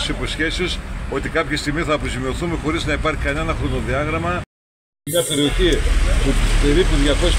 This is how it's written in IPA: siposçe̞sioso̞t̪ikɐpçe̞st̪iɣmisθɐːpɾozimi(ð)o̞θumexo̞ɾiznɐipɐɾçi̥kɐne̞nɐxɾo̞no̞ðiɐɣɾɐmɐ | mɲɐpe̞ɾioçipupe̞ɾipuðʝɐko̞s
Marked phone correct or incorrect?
incorrect